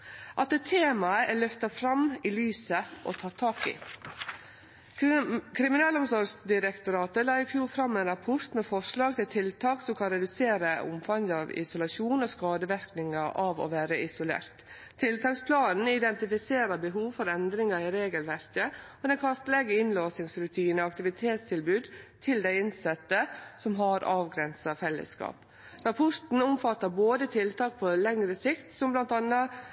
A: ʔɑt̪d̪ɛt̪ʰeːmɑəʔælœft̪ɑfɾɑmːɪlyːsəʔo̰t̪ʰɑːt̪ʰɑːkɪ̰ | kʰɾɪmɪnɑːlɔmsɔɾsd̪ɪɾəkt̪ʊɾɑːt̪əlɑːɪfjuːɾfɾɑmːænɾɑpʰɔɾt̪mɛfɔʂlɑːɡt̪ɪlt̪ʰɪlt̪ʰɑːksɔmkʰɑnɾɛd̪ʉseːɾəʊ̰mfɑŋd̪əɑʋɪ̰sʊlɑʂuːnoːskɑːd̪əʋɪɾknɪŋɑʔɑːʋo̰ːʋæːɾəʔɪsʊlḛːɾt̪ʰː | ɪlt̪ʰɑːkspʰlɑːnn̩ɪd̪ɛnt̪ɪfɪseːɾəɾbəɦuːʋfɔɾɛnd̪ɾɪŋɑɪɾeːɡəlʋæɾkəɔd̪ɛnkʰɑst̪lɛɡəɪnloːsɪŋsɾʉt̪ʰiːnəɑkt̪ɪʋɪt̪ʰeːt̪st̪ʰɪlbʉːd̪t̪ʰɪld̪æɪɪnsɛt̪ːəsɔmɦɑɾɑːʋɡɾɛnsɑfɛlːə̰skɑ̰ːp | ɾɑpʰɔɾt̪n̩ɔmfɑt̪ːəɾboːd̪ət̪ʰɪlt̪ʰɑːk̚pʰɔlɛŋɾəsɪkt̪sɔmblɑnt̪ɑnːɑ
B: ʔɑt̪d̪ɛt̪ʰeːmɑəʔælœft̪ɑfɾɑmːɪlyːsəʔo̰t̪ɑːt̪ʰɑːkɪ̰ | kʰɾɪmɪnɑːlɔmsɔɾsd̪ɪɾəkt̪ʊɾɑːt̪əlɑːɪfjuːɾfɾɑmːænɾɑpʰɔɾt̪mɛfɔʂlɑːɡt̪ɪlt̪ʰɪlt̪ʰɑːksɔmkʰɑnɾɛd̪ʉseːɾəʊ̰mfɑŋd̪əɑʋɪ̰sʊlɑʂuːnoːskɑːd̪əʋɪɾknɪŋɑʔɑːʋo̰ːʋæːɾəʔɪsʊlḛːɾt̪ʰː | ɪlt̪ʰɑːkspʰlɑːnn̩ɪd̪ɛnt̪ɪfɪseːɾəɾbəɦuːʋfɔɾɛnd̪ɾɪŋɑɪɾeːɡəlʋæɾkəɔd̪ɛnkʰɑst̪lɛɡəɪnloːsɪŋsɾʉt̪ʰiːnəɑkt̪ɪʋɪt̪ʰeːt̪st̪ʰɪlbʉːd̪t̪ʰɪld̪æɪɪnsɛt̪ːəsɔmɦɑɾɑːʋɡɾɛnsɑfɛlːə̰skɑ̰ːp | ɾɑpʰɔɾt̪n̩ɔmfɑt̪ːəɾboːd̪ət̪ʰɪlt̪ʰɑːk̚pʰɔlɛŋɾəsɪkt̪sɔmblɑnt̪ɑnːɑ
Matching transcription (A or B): A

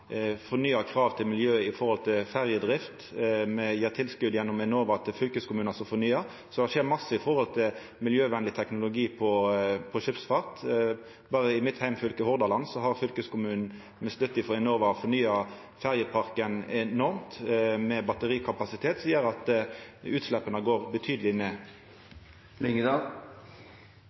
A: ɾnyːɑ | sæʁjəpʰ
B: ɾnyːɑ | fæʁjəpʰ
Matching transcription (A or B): B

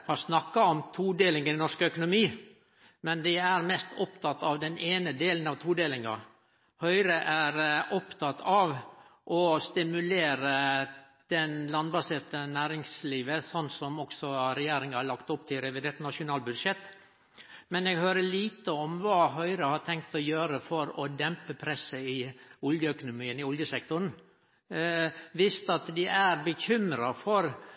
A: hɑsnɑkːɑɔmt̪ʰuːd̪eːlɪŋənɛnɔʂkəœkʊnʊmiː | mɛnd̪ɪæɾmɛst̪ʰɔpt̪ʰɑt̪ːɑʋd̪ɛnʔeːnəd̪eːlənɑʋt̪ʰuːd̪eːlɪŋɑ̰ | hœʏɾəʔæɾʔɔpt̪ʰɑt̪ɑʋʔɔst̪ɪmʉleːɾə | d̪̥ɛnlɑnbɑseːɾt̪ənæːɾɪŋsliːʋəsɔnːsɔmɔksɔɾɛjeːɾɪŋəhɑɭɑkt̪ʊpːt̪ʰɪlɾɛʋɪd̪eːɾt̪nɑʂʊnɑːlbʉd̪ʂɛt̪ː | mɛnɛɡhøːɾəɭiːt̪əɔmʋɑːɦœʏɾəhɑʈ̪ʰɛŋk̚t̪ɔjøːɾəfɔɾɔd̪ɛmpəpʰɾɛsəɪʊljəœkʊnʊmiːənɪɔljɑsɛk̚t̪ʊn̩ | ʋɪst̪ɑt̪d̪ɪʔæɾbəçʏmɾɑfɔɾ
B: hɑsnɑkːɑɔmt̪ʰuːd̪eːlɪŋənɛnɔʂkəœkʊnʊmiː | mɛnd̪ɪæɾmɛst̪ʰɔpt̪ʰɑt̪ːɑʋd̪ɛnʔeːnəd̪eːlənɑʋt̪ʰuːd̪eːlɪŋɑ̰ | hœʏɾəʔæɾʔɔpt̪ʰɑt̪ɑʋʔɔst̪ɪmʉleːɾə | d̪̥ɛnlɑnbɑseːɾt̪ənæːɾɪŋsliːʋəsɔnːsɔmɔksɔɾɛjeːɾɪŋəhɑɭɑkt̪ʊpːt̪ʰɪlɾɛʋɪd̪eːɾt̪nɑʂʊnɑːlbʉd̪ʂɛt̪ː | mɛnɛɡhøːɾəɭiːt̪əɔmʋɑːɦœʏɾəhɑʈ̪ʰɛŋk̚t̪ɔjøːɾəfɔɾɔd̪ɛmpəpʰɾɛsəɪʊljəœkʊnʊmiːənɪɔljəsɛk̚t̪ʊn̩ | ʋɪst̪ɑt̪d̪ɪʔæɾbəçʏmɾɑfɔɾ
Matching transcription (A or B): B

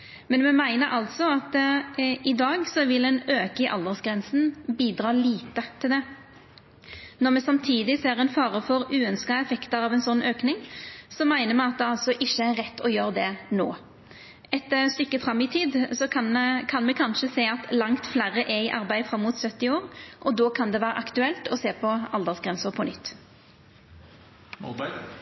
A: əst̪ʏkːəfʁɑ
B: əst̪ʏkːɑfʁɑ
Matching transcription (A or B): A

